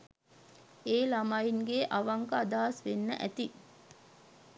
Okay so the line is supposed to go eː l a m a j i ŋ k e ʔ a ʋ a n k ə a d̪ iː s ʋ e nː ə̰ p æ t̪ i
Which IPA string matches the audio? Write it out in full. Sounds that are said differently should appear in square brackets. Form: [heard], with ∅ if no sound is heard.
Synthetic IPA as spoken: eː l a m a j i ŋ [ɡ] e ʔ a ʋ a [ŋ] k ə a d̪ [aː] s ʋ e nː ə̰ [ʔ] æ t̪ i